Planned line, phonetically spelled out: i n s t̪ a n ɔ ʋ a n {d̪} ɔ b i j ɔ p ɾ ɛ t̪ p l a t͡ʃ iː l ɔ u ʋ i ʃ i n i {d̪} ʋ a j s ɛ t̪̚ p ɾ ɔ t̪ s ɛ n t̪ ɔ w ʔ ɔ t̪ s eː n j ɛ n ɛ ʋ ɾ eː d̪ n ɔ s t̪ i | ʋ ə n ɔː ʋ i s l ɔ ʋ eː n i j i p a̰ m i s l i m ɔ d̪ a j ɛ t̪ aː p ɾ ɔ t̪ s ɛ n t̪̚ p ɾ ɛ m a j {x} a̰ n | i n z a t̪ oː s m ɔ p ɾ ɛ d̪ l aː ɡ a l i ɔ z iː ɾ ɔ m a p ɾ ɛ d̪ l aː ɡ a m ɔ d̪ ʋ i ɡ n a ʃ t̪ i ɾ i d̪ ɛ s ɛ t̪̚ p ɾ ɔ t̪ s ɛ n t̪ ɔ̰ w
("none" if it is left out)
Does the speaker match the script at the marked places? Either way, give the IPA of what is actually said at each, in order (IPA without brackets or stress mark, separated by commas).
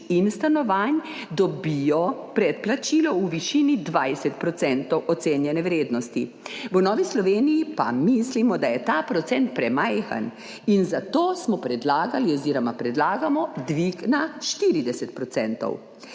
d̪, d̪, x